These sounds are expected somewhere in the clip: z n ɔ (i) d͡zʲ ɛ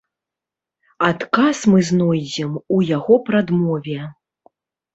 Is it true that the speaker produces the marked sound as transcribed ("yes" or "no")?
no